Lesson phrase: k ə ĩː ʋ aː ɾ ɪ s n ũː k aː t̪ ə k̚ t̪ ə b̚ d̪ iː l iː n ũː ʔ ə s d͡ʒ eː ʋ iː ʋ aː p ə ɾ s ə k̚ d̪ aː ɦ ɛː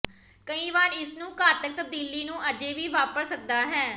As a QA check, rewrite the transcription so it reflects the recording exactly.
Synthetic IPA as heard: k ə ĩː ʋ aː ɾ ɪ s n ũː k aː t̪ ə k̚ t̪ ə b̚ d̪ iː l iː n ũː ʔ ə d͡ʒ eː ʋ iː ʋ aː p ə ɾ s ə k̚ d̪ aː ɦ ɛː